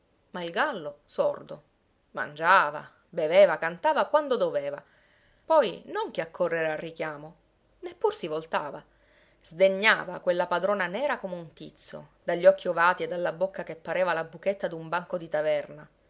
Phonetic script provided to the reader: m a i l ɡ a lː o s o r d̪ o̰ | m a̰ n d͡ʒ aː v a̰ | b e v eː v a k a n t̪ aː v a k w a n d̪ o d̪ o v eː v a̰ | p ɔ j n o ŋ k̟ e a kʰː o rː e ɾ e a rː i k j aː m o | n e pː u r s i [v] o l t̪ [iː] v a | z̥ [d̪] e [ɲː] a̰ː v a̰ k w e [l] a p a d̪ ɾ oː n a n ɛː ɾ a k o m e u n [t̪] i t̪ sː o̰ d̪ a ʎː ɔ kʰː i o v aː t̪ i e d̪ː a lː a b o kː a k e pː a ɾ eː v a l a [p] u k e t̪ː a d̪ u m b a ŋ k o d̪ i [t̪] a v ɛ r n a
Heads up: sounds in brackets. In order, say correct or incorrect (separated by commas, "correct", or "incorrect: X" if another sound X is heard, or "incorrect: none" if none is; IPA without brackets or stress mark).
correct, incorrect: aː, correct, correct, incorrect: lː, correct, incorrect: b, correct